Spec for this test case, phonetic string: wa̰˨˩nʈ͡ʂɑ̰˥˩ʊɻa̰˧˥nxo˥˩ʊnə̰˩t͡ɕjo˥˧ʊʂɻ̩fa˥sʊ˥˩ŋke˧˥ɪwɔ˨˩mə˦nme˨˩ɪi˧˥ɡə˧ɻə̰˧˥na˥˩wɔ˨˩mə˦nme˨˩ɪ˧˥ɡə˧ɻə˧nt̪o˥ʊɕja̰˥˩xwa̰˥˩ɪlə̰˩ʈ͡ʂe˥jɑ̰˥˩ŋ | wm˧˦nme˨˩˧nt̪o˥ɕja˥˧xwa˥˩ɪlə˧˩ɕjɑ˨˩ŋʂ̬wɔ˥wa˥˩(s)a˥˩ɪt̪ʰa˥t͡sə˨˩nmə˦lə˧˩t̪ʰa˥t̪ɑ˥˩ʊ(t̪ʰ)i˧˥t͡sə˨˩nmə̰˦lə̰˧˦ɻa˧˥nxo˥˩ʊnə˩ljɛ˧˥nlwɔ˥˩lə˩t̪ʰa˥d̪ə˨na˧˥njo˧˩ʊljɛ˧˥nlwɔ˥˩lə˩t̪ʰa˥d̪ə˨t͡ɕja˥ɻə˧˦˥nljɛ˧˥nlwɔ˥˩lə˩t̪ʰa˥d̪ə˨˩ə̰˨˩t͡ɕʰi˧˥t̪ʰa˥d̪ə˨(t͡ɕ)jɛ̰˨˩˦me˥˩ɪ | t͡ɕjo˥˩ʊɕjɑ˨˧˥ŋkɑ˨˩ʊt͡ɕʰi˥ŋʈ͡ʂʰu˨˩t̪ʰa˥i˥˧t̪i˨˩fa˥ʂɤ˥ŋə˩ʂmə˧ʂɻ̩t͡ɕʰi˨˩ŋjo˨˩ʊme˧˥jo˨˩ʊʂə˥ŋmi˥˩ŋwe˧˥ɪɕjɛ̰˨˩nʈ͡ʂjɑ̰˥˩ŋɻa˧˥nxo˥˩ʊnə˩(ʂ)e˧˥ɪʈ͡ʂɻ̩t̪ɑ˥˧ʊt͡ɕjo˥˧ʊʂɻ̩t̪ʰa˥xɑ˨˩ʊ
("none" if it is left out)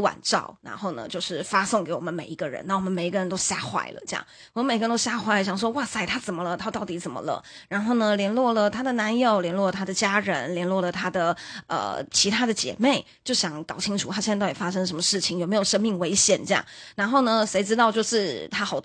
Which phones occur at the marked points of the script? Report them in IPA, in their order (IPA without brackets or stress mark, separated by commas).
s, t̪, t͡ɕ, ʂ